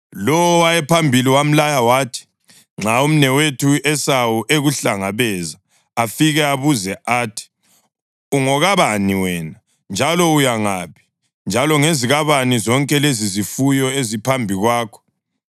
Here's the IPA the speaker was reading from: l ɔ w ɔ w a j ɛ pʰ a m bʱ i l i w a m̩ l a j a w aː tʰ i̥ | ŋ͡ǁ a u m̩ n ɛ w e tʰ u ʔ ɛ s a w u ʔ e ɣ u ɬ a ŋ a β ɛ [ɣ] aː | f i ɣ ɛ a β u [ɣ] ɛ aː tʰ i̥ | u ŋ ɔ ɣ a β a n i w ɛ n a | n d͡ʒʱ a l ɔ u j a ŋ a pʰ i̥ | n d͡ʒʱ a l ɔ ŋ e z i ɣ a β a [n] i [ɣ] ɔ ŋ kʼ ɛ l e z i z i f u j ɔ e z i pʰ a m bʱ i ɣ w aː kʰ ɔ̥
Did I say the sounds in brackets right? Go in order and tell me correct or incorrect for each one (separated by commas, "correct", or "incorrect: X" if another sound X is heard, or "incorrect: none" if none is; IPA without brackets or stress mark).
incorrect: z, incorrect: z, correct, incorrect: z